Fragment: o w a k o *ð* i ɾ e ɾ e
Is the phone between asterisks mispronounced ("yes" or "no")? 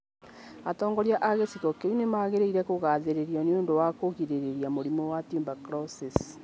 yes